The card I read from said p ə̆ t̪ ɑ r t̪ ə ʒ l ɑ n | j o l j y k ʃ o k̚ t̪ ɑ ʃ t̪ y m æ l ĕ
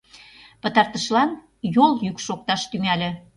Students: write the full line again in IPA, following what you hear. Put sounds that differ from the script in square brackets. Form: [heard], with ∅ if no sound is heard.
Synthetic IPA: p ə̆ t̪ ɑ r t̪ ə [ʃ] l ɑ n | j o l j y k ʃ o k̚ t̪ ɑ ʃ t̪ y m æ l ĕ